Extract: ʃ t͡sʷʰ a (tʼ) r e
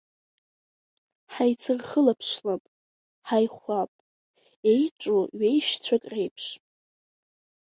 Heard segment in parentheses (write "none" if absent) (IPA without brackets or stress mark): kʼ